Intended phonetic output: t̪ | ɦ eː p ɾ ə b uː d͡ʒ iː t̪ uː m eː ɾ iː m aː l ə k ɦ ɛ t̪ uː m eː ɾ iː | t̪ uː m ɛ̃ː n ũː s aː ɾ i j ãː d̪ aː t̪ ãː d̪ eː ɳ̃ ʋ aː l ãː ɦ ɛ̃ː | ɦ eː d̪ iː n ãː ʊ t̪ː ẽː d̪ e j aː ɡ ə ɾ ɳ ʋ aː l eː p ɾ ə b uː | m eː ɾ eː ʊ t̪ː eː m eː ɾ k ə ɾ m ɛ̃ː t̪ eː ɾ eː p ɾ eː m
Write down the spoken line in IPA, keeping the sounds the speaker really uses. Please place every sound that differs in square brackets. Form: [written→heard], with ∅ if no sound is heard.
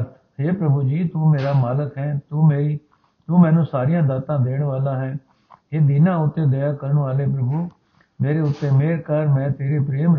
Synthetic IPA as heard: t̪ | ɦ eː p ɾ ə b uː d͡ʒ iː t̪ uː m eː ɾ [iː→aː] m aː l ə k ɦ [ɛ→ɛː] t̪ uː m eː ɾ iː | t̪ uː m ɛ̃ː n ũː s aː ɾ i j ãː d̪ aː t̪ ãː d̪ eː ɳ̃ ʋ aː l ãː ɦ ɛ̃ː | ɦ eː d̪ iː n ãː ʊ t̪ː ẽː d̪ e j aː [ɡ→k] ə ɾ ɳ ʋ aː l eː p ɾ ə b uː | m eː ɾ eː ʊ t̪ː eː m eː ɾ k ə ɾ m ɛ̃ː t̪ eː ɾ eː p ɾ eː m